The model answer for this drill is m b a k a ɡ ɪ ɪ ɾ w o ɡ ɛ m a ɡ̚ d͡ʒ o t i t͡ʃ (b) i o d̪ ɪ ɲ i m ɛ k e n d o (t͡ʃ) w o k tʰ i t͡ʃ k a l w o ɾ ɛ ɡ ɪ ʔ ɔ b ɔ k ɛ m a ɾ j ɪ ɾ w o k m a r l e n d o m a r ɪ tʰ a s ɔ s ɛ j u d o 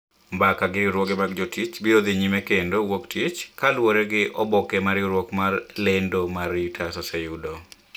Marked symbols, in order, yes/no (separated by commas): yes, no